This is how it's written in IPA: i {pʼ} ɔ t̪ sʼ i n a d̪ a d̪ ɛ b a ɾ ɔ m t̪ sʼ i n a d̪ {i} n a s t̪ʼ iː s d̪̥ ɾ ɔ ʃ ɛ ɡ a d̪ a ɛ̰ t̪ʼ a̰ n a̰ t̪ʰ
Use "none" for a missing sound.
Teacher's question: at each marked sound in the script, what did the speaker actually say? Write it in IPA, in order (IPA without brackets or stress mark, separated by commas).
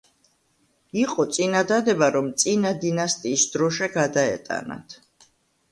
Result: qʼ, i